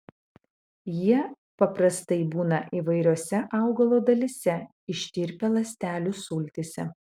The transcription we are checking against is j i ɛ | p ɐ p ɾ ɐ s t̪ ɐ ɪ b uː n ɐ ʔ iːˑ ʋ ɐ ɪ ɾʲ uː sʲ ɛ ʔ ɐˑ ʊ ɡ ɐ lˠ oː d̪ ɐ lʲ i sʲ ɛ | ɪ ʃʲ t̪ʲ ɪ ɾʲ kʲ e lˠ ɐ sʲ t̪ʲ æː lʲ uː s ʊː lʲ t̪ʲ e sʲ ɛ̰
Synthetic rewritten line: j i ɛ | p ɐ p ɾ ɐ s t̪ ɐ ɪ b uː n ɐ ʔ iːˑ ʋ ɐ ɪ ɾʲ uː sʲ ɛ ʔ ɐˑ ʊ ɡ ɐ lˠ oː d̪ ɐ lʲ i sʲ ɛ | ɪ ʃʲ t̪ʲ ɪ ɾʲ pʲ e lˠ ɐ sʲ t̪ʲ æː lʲ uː s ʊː lʲ t̪ʲ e sʲ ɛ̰